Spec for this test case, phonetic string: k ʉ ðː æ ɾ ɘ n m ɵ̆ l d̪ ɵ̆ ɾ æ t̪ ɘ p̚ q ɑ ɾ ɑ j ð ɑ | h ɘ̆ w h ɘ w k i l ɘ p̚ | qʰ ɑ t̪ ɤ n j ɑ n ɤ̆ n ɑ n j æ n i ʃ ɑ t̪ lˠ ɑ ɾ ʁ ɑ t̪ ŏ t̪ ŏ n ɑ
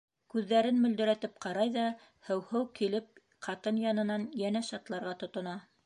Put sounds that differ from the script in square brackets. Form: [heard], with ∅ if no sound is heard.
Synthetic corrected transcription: k ʉ ðː æ ɾ ɘ n m ɵ̆ l d̪ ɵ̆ ɾ æ t̪ ɘ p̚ q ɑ ɾ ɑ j ð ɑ | h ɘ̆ w h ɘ w k i l ɘ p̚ | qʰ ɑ t̪ ɤ n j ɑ n ɤ̆ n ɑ n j æ n [æ] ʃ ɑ t̪ lˠ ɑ ɾ ʁ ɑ t̪ ŏ t̪ ŏ n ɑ